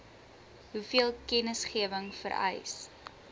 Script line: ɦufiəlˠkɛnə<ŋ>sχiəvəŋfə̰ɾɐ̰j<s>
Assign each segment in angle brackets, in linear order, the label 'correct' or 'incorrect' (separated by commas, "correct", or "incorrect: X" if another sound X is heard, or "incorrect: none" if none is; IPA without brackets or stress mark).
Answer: incorrect: none, correct